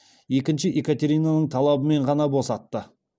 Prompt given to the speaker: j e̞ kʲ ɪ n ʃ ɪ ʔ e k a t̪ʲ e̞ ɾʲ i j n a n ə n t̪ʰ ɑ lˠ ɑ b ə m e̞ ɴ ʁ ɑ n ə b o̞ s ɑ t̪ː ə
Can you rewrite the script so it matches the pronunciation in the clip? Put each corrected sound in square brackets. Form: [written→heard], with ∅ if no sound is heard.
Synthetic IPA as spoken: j e̞ kʲ ɪ n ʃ ɪ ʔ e k a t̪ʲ e̞ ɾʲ i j n a n ə [n→ɴ] t̪ʰ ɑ lˠ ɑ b ə m e̞ ɴ ʁ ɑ n [ə→ɑ] b o̞ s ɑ t̪ː ə